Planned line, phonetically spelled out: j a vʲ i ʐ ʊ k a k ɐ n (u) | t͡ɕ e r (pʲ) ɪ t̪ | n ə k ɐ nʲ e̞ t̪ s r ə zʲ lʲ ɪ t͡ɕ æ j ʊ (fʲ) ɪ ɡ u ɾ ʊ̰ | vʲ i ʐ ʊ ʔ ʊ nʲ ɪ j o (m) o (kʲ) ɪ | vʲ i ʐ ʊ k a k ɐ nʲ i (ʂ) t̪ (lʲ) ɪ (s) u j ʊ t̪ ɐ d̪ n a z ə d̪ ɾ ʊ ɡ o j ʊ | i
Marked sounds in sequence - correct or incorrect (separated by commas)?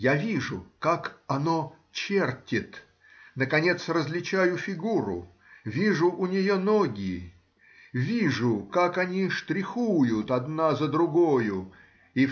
incorrect, incorrect, correct, incorrect, incorrect, correct, incorrect, incorrect